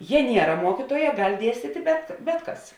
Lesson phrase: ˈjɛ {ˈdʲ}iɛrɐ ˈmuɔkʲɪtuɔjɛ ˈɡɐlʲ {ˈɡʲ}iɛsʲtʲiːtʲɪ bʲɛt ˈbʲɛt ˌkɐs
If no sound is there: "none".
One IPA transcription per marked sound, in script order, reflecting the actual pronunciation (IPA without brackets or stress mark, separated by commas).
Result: nʲ, dʲ